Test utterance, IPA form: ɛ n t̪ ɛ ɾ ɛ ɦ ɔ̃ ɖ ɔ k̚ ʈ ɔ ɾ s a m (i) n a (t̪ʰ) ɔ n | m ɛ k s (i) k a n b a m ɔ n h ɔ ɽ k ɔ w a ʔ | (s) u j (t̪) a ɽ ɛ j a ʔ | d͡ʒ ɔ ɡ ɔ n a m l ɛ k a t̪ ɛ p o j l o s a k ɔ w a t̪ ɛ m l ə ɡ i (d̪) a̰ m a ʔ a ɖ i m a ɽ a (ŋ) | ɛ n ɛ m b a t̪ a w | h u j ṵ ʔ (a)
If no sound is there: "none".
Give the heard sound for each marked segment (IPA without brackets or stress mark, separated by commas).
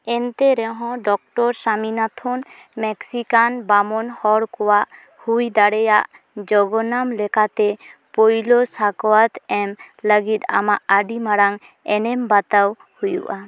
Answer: i, t̪ʰ, i, h, d̪, t̪, ŋ, a